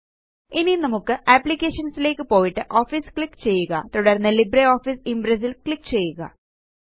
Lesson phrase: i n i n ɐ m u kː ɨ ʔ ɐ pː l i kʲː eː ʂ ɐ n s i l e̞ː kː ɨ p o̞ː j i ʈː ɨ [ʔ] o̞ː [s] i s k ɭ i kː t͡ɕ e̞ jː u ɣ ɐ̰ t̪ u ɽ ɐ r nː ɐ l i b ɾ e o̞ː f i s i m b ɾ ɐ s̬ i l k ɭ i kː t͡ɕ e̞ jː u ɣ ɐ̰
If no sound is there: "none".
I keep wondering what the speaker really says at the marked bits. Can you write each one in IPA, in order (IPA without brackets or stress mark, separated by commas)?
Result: ʔ, f